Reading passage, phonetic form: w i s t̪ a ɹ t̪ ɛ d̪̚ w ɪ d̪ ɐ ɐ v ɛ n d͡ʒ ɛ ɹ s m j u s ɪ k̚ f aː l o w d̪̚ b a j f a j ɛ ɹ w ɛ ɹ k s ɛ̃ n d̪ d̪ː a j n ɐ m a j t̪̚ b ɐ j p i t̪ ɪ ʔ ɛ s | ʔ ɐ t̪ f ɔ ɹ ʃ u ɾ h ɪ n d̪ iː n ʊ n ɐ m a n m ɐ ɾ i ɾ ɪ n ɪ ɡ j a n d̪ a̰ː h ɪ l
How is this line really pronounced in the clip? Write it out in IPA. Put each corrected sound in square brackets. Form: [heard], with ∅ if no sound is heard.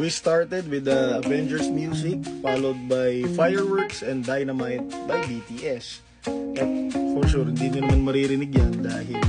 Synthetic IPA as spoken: w i s t̪ a ɹ t̪ ɛ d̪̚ w ɪ d̪ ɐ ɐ v ɛ n d͡ʒ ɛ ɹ s m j u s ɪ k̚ f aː l o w d̪̚ b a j f a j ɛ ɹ w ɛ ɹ k s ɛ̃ n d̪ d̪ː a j n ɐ m a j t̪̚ b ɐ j [b] i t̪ [i] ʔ ɛ s | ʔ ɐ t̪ f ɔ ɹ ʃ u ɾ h ɪ n d̪ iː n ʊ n ɐ m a n m ɐ ɾ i ɾ ɪ n ɪ ɡ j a n d̪ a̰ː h ɪ l